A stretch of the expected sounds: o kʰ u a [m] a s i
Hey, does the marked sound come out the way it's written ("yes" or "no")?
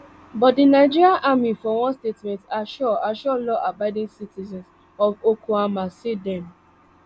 yes